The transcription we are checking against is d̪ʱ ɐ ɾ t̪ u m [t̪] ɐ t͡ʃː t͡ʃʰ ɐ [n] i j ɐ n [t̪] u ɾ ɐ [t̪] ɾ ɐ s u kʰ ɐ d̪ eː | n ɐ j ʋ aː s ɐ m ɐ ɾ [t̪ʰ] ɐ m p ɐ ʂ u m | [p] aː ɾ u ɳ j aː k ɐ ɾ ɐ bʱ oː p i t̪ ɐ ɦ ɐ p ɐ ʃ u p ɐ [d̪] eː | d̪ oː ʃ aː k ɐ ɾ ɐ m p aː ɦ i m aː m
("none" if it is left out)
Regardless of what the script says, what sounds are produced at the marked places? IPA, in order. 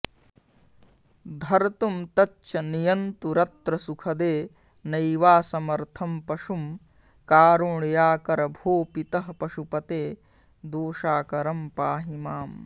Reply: t̪, n, t̪, t̪, t̪ʰ, k, t̪

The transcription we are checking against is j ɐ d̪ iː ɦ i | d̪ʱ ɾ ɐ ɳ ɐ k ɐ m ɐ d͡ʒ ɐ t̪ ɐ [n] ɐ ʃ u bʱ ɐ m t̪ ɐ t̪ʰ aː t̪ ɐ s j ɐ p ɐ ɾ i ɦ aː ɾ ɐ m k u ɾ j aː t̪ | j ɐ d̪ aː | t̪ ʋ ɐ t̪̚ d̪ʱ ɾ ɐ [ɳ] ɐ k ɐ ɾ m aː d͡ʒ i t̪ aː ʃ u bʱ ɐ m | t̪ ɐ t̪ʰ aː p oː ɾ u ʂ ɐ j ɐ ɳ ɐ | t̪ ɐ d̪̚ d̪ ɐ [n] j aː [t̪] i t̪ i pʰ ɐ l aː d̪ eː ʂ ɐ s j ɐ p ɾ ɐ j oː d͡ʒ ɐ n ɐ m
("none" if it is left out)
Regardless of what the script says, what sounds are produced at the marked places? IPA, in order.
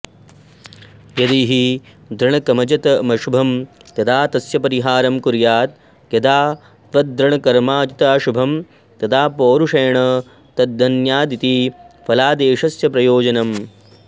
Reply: m, ɳ, n, d̪

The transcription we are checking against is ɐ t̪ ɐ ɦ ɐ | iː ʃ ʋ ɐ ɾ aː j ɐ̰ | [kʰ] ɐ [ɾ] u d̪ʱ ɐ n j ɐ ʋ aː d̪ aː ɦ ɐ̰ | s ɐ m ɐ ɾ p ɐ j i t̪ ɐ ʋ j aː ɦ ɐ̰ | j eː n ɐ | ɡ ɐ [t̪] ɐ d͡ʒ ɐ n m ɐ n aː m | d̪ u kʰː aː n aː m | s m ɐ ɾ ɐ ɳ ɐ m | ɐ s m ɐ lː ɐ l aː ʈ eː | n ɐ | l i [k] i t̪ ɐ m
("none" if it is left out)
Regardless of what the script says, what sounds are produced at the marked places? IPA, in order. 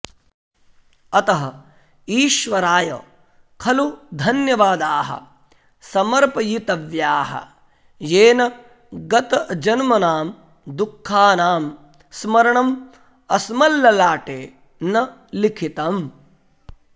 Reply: kʰ, l, t̪, kʰ

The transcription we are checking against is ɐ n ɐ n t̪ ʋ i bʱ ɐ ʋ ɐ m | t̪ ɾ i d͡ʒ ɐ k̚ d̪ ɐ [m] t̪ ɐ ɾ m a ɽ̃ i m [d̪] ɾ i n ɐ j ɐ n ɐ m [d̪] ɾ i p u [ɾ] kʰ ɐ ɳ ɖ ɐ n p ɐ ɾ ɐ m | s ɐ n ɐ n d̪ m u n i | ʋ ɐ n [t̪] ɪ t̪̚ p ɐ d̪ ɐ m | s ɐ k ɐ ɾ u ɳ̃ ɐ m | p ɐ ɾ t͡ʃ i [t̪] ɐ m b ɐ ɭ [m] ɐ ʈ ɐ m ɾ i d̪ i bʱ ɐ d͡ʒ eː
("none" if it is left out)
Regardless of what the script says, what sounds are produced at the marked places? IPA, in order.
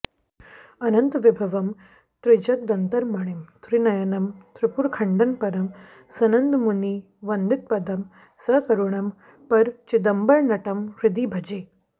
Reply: n, t̪, t̪, ɾ, d̪, d̪, n

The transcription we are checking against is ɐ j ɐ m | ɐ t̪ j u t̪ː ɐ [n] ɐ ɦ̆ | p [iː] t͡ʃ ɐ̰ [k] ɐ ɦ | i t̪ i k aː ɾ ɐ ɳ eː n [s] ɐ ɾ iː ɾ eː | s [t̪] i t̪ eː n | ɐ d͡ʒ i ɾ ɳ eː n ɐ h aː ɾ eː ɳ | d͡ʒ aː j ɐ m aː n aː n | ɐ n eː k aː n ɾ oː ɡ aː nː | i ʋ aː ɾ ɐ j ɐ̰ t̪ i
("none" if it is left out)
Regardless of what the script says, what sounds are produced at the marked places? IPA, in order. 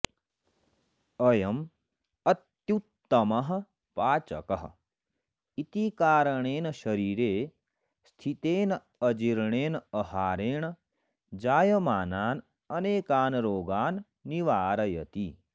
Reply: m, aː, k, ʃ, t̪ʰ

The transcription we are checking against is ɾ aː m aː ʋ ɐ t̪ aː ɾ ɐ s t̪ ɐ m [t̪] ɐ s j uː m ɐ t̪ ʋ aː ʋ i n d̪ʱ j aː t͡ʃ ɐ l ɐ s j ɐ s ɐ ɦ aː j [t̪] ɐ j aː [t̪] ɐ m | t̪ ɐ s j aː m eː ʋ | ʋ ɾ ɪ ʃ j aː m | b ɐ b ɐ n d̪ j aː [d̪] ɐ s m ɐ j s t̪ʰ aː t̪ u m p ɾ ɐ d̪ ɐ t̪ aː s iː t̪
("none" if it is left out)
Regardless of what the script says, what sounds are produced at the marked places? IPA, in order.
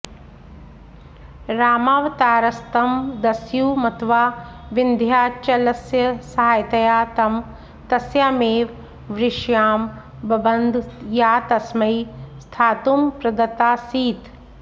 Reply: d̪, t̪, t̪, t̪

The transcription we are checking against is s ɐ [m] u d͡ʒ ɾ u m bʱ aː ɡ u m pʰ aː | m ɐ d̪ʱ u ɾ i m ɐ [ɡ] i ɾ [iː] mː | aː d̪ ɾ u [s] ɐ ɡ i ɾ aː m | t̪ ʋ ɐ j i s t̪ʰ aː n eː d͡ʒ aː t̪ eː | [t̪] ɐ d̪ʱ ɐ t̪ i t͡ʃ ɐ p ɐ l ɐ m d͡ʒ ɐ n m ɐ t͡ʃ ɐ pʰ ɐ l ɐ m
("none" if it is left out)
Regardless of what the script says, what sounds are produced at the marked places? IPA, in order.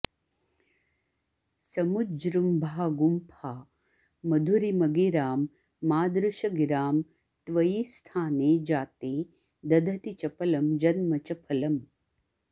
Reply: m, ɡ, aː, ʃ, d̪

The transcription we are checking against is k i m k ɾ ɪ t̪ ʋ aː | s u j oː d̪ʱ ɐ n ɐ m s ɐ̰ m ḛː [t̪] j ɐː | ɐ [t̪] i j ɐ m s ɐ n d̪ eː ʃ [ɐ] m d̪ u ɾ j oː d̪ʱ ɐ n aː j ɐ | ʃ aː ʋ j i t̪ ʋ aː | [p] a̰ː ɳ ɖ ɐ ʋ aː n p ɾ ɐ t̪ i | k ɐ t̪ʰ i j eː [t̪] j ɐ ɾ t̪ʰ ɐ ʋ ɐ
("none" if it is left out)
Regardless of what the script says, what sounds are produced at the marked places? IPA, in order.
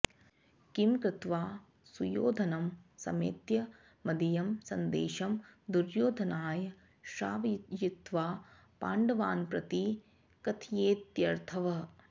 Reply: t̪, d̪, ɐ, p, t̪

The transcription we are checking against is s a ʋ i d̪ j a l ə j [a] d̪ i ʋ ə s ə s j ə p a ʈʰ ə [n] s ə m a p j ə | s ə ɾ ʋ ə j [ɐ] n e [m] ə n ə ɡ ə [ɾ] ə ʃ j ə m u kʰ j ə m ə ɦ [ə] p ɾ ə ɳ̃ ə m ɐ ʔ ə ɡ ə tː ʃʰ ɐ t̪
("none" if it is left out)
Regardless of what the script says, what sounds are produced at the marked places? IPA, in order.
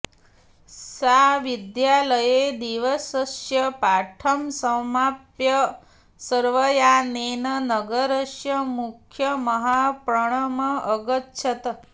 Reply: e, m, a, n, ɾ, a

